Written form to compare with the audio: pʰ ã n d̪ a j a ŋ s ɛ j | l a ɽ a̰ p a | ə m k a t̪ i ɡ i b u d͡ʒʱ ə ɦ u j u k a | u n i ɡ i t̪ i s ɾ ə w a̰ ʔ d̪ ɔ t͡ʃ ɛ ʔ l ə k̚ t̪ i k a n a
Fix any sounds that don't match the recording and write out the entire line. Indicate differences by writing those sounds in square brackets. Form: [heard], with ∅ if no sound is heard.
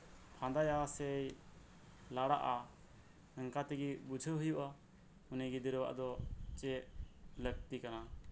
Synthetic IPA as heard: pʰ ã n d̪ a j a [∅] s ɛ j | l a ɽ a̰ [ʔ] a | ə [ŋ] k a t̪ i ɡ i b u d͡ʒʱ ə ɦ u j u [ʔ] a | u n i ɡ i [d̪] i [∅] ɾ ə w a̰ ʔ d̪ ɔ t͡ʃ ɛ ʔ l ə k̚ t̪ i k a n a